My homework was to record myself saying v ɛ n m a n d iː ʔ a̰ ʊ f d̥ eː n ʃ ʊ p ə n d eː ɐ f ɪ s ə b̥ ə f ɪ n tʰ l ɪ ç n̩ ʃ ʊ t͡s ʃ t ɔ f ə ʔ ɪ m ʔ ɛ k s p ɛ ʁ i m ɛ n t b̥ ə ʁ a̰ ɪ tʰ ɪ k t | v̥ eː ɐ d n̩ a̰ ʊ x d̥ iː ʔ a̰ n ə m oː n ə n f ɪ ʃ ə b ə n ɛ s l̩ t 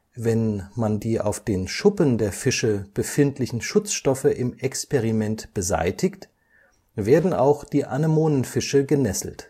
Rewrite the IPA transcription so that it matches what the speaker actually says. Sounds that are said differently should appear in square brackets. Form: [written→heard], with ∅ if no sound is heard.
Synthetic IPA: v ɛ n m a n d iː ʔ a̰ ʊ f d̥ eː n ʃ ʊ p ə n d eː ɐ f ɪ [s→ʃ] ə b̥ ə f ɪ n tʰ l ɪ ç n̩ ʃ ʊ t͡s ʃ t ɔ f ə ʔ ɪ m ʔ ɛ k s p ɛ ʁ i m ɛ n t b̥ ə [ʁ→z] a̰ ɪ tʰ ɪ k t | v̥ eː ɐ d n̩ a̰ ʊ x d̥ iː ʔ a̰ n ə m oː n ə n f ɪ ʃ ə [b→ɡ] ə n ɛ s l̩ t

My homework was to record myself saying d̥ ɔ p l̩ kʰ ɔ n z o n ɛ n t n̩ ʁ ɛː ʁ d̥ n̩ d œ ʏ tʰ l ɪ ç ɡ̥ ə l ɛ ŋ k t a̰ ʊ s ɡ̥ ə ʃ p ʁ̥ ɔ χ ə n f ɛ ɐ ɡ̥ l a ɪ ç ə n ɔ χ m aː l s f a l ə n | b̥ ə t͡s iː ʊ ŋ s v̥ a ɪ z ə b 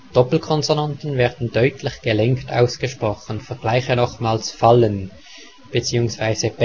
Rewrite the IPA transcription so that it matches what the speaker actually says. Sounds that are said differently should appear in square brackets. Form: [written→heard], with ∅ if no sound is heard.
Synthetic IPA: d̥ ɔ p l̩ kʰ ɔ n z o n [ɛ→a] n t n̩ [ʁ→v] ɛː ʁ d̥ n̩ d œ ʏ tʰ l ɪ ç ɡ̥ ə l ɛ ŋ k t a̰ ʊ s ɡ̥ ə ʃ p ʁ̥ ɔ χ ə n f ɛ ɐ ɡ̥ l a ɪ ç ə n ɔ χ m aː l s f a l ə n | b̥ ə t͡s iː ʊ ŋ s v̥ a ɪ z ə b

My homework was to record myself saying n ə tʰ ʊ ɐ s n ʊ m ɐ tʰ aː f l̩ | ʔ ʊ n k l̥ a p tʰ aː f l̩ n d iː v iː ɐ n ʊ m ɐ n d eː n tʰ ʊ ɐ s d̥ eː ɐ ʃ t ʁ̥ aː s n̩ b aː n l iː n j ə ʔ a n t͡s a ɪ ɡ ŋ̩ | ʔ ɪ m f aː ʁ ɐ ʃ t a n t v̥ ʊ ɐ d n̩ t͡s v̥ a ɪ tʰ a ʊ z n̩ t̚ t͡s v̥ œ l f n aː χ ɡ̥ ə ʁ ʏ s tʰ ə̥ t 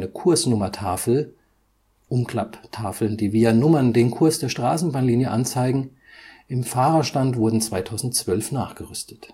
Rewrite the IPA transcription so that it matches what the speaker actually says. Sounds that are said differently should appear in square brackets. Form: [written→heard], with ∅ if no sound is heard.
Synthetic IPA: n ə [tʰ→kʰ] ʊ ɐ s n ʊ m ɐ tʰ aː f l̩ | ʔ ʊ [n→m] k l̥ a p tʰ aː f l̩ n d iː v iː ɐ n ʊ m ɐ n d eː n [tʰ→kʰ] ʊ ɐ s d̥ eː ɐ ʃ t ʁ̥ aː s n̩ b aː n l iː n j ə ʔ a n t͡s a ɪ ɡ ŋ̩ | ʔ ɪ m f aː ʁ ɐ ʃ t a n t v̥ ʊ ɐ d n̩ t͡s v̥ a ɪ tʰ a ʊ z n̩ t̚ t͡s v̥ œ l f n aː χ ɡ̥ ə ʁ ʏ s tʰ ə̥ t

